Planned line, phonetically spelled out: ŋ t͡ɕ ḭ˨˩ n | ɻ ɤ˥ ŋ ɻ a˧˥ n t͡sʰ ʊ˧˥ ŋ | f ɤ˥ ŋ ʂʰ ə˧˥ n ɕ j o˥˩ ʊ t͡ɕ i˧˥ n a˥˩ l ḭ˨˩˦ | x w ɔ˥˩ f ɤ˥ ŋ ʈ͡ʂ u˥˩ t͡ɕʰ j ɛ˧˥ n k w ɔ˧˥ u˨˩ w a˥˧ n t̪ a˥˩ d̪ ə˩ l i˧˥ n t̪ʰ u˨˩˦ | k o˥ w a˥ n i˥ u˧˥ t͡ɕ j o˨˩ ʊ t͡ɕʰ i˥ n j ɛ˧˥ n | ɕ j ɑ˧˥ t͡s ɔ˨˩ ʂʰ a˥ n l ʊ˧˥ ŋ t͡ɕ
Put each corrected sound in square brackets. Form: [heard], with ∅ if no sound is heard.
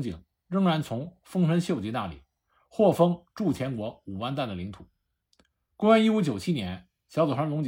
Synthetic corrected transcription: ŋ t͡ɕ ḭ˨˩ [ŋ] | ɻ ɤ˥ ŋ ɻ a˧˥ n t͡sʰ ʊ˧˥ ŋ | f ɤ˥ ŋ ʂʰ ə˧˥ n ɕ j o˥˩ ʊ t͡ɕ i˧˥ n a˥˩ l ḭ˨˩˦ | x w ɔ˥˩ f ɤ˥ ŋ ʈ͡ʂ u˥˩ t͡ɕʰ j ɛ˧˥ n k w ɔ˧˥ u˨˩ w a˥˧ n t̪ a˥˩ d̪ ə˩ l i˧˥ [ŋ] t̪ʰ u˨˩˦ | k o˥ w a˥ n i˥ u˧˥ t͡ɕ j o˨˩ ʊ t͡ɕʰ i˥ n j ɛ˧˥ n | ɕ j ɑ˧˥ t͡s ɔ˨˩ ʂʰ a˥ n l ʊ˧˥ ŋ t͡ɕ